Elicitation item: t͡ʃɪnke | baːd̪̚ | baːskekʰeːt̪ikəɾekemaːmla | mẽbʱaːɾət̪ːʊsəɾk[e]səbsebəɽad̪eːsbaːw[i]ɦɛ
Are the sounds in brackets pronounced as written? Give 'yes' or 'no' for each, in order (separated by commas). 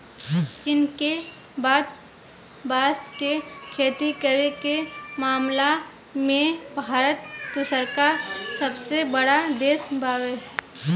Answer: no, no